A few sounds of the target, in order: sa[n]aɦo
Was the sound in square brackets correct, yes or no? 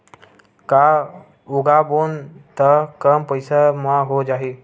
no